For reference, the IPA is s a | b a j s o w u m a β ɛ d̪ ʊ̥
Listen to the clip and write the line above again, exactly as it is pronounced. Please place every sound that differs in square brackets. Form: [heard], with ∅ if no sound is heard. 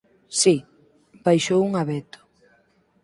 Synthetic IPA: s [i] | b a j [ʃ] o w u [ŋ] a β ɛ [t̪] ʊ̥